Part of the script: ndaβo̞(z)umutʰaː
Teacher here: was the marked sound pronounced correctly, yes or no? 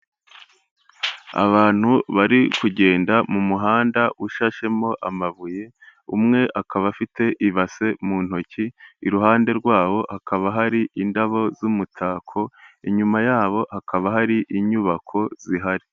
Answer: yes